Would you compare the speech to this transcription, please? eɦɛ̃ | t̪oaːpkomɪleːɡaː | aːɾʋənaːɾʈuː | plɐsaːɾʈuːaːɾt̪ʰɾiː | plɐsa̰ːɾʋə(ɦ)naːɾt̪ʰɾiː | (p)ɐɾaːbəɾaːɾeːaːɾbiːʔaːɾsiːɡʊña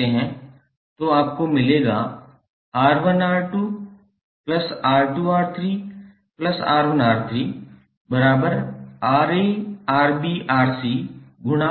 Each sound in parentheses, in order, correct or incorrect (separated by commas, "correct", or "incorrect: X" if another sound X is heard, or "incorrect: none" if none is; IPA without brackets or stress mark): incorrect: none, incorrect: b